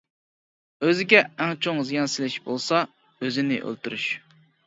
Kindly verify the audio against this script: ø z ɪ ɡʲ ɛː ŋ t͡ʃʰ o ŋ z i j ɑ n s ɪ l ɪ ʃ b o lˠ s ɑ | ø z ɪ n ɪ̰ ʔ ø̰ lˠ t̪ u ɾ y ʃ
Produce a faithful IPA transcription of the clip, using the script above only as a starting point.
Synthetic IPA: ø z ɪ ɡʲ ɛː ŋ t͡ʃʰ o ŋ z i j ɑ n s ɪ l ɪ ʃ b o lˠ s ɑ | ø z ɪ n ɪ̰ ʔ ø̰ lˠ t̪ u ɾ y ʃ